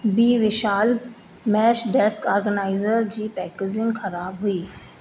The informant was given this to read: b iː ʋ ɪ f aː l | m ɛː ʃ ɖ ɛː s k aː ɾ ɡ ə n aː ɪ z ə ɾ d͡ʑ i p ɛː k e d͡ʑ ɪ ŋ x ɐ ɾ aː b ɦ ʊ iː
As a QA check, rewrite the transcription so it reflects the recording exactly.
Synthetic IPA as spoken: b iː ʋ ɪ ʃ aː l | m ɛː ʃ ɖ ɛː s k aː ɾ ɡ ə n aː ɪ z ə ɾ d͡ʑ iː p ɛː k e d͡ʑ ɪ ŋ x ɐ ɾ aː b ɦ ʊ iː